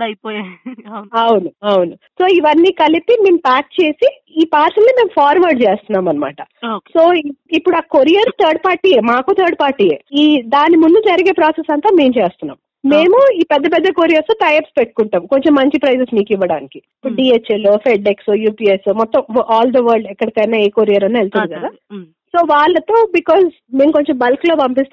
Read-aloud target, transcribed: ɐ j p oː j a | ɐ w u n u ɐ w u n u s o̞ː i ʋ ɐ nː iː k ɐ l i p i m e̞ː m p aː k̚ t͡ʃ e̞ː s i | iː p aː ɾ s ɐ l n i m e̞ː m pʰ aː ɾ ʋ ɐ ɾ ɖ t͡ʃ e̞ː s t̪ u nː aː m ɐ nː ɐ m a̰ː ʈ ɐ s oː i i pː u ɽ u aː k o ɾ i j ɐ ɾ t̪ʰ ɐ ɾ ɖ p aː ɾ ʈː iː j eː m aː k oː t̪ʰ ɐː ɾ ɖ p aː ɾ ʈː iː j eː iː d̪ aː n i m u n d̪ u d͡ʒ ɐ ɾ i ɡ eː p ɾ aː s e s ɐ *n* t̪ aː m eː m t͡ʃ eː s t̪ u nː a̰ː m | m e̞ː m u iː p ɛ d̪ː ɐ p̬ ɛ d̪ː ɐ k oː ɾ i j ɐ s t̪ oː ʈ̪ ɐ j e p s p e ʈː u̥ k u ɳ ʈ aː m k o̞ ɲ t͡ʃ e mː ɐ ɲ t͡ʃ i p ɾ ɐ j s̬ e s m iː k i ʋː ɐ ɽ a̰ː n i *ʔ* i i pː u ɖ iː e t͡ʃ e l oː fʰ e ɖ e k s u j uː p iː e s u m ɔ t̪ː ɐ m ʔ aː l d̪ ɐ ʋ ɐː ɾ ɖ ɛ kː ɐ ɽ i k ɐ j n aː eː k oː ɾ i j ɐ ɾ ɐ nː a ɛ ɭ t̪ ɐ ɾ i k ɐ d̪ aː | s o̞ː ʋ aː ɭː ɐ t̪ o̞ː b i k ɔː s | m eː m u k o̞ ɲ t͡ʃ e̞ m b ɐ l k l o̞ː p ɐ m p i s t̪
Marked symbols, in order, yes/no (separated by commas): yes, no